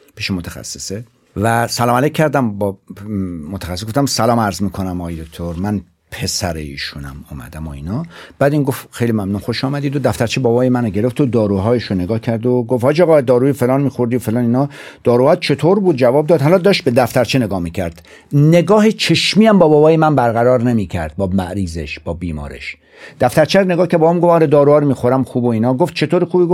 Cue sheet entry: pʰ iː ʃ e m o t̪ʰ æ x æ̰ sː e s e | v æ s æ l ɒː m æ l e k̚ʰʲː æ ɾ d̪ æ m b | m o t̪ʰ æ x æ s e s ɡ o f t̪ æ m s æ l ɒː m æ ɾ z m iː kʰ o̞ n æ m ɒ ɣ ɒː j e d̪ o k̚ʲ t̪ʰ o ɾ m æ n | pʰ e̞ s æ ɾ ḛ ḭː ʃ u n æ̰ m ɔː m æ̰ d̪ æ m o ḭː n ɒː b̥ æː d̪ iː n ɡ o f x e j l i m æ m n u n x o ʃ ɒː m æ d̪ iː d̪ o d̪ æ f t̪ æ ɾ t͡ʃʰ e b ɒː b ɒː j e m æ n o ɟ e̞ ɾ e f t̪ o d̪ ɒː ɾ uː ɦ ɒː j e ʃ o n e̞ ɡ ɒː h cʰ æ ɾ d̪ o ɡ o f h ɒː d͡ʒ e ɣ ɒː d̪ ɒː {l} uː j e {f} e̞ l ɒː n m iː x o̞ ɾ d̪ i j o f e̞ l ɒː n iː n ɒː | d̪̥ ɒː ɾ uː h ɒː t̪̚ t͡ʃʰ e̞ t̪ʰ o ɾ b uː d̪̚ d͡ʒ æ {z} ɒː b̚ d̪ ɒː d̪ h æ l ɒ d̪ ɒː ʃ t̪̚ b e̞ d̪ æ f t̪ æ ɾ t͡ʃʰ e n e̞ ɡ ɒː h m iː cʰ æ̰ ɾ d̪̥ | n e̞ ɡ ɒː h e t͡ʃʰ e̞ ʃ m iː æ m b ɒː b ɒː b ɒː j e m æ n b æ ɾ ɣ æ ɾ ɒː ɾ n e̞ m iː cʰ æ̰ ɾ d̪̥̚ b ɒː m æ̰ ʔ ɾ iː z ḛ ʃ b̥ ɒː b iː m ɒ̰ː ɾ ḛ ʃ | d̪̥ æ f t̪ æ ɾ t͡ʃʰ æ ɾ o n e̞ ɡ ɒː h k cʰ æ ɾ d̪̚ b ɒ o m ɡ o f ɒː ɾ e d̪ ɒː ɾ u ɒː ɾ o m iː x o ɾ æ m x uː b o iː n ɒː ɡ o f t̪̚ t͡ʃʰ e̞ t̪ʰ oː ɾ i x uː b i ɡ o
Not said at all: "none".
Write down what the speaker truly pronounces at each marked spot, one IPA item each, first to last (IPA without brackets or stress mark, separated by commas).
ɾ, f, v